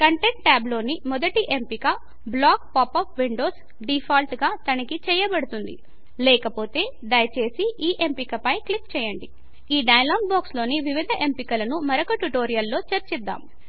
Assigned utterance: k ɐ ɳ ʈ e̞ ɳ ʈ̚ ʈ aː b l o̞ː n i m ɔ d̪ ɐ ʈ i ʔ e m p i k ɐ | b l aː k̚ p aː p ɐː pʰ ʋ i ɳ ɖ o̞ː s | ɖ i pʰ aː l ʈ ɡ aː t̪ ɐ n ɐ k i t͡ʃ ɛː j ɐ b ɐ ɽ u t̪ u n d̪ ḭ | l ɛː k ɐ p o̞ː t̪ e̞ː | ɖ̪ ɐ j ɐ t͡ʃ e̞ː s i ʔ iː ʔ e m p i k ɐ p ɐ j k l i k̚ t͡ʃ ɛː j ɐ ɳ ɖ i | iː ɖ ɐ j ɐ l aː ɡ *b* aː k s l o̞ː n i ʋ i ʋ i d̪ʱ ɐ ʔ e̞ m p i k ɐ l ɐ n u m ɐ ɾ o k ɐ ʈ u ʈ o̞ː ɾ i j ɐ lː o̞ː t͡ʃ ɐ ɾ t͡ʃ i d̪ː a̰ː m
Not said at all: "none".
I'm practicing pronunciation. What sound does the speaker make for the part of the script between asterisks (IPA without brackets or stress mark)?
b